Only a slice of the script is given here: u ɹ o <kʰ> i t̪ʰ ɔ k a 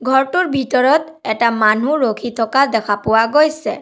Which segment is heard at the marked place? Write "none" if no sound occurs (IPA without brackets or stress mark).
kʰ